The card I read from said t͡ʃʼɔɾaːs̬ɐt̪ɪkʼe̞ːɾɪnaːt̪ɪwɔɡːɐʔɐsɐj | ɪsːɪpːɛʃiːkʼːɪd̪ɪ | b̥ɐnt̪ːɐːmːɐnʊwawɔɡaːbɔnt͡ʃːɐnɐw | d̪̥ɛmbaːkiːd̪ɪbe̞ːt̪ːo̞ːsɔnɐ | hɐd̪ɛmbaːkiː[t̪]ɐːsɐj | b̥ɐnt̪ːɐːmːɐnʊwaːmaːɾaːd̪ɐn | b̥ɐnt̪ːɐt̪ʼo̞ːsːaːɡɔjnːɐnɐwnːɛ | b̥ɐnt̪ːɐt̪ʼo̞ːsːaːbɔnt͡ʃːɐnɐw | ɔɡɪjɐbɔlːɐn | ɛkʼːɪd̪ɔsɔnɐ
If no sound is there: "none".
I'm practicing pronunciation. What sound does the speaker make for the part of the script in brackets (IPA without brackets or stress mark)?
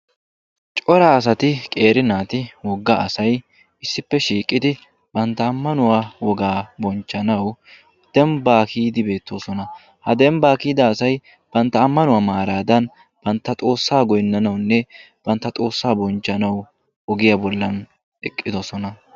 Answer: d̪